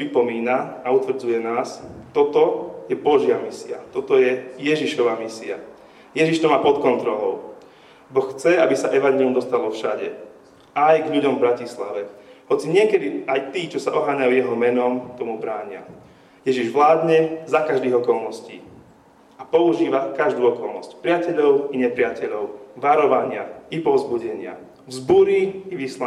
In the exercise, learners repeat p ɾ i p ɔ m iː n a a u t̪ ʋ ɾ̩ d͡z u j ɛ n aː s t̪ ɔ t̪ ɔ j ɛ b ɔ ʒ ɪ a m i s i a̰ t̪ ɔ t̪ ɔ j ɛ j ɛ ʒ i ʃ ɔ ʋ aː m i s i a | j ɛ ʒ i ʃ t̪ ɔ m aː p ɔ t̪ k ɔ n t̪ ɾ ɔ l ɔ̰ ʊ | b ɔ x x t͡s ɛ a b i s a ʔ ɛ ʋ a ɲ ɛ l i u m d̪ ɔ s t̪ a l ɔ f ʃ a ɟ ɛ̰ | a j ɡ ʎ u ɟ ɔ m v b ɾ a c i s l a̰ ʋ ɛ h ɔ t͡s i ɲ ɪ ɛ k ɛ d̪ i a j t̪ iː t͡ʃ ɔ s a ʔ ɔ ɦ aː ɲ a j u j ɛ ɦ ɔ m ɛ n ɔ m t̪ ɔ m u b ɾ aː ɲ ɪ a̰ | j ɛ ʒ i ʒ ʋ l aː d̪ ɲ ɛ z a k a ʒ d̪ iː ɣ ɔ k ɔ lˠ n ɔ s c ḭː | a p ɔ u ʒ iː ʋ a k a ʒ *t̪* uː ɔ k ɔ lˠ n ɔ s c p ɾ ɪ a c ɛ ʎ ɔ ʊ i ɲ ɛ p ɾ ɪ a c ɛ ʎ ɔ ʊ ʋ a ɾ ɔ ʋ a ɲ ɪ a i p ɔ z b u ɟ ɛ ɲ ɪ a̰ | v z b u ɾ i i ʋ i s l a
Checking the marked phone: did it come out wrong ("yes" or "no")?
yes